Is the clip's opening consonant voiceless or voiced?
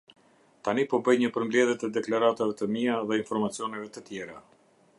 voiceless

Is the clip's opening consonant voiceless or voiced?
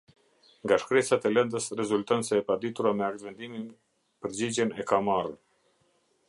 voiced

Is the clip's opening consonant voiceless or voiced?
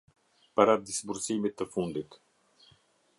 voiceless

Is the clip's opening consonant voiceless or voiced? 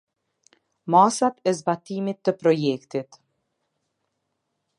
voiced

